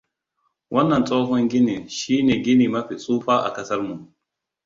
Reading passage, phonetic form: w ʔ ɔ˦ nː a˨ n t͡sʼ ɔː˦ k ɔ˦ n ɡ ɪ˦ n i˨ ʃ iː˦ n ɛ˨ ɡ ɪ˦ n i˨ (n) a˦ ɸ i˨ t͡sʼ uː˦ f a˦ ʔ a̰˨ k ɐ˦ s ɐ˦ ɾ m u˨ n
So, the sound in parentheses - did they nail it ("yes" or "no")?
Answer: no